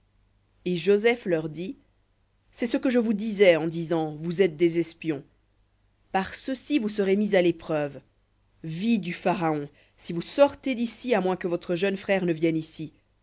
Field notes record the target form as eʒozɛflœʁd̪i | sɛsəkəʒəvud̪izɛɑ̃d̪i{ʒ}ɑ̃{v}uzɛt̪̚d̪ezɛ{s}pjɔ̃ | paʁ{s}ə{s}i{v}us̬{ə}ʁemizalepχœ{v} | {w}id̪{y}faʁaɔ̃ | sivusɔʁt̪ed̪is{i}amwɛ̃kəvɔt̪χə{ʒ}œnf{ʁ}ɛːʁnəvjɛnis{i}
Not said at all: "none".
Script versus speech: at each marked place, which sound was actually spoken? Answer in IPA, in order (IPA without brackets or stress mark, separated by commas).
z, v, s, s, s, v, ə, v, v, y, i, ʒ, χ, i